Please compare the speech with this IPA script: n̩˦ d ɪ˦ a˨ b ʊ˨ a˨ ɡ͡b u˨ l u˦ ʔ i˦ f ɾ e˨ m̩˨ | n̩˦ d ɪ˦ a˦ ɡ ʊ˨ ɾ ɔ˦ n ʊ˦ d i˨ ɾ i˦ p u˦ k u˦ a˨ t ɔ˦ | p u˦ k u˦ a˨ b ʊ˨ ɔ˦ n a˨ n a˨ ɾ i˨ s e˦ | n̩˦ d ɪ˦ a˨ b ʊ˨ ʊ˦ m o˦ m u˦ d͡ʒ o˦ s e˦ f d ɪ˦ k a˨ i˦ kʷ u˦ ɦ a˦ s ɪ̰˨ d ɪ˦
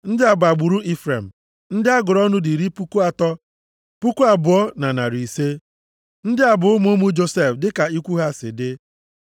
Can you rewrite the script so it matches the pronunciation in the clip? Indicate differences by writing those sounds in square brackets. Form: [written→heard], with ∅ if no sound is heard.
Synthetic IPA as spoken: n̩˦ d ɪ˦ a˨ b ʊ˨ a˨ ɡ͡b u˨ [l→ɾ] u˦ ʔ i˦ f ɾ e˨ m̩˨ | n̩˦ d ɪ˦ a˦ ɡ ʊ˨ ɾ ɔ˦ n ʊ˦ d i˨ ɾ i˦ p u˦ k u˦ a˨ t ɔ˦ | p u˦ k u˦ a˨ b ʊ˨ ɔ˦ n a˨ n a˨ ɾ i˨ s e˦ | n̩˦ d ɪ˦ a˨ b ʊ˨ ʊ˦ m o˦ m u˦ d͡ʒ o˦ s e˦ f d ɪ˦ k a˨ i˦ kʷ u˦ ɦ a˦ s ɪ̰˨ d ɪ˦